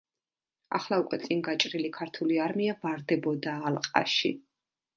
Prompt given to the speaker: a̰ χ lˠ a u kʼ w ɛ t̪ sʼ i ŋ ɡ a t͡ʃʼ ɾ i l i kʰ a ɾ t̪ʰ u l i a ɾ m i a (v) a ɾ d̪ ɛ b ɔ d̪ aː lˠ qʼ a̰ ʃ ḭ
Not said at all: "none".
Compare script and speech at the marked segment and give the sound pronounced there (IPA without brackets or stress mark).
v